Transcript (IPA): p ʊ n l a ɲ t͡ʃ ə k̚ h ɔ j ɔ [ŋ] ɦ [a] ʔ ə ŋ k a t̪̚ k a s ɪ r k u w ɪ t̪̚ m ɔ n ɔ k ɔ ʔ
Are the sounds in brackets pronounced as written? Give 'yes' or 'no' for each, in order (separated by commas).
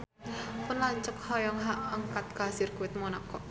yes, yes